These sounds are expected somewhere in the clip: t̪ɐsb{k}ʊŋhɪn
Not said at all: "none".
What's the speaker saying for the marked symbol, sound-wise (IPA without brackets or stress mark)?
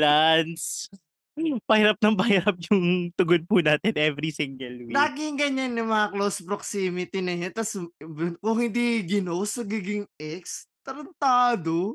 k